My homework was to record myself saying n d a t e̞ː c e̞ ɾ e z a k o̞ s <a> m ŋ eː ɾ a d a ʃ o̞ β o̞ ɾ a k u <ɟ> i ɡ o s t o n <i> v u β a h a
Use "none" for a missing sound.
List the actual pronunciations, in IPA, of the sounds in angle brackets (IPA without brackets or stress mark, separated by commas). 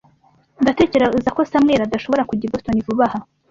a, ɟ, i